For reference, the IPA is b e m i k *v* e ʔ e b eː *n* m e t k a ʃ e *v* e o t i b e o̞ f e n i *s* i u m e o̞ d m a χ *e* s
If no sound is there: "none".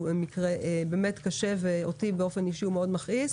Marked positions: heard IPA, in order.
ʁ, none, v, ʃ, i

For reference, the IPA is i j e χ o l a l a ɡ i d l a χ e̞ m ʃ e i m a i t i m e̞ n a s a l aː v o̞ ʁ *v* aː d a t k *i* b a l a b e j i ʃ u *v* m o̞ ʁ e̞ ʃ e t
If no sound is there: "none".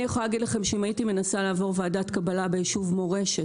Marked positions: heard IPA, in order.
v, a, v

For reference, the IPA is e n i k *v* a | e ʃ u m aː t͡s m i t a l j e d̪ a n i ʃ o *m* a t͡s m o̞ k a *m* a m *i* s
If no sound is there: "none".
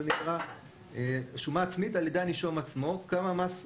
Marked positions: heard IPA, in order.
ʁ, m, m, a

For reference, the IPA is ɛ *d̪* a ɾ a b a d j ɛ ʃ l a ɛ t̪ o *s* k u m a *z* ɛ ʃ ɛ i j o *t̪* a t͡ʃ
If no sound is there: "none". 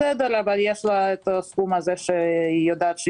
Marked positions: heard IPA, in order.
d̪, s, z, d̪

